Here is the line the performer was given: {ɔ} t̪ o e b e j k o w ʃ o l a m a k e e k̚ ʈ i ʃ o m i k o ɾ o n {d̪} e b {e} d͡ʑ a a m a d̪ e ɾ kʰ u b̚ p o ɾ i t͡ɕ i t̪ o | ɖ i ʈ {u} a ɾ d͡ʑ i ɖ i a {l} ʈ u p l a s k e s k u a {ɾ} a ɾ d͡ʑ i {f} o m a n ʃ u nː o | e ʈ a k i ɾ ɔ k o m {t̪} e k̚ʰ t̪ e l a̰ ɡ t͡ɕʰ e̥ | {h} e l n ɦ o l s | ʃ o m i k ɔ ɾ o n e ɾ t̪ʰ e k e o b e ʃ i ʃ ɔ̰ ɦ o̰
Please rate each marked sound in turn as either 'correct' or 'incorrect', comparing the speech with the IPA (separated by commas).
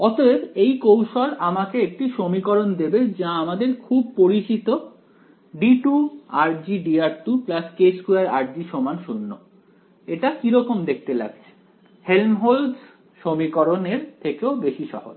correct, correct, correct, correct, incorrect, correct, incorrect, incorrect, correct